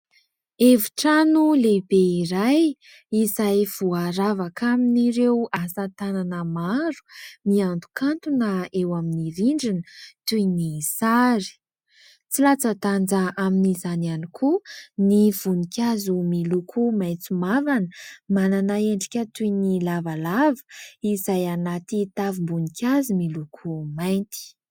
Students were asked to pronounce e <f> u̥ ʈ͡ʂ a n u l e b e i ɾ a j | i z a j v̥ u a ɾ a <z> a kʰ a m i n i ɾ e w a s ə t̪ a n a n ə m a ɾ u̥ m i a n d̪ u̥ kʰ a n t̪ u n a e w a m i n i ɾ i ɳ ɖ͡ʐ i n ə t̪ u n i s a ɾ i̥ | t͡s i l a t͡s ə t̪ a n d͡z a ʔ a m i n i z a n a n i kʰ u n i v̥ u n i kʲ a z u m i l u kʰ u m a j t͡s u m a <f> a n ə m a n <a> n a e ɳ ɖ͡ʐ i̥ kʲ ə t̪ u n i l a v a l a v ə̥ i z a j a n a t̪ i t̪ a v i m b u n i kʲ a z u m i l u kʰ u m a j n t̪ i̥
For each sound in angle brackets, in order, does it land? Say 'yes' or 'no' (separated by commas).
no, no, no, yes